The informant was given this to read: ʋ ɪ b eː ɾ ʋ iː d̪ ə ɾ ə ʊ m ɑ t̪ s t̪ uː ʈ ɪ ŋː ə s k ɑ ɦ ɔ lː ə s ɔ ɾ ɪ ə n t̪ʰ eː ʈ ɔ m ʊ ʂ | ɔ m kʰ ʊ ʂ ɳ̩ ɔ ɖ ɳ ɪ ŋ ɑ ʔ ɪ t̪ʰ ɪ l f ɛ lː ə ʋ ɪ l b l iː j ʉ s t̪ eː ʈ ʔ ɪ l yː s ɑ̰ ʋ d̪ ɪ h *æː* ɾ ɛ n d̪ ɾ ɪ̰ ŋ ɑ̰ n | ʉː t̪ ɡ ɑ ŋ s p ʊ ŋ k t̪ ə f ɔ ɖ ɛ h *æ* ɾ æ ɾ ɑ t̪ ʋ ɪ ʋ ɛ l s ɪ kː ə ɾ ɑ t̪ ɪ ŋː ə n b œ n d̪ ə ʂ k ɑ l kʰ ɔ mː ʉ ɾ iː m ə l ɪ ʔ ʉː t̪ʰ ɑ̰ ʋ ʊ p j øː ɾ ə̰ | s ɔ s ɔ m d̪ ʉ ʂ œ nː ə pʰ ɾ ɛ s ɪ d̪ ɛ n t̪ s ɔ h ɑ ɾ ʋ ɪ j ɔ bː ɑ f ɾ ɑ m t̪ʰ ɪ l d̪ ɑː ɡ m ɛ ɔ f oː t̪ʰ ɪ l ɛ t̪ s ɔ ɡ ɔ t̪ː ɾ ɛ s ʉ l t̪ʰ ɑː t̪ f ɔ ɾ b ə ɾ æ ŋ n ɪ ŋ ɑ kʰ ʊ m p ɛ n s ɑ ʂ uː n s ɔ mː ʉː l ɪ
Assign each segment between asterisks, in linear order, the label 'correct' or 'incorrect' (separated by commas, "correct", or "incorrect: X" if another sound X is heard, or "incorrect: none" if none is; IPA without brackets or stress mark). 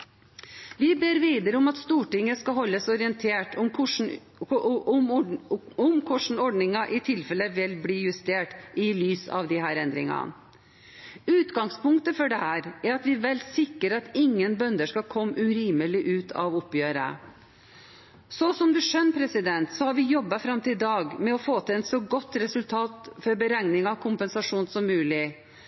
correct, incorrect: æː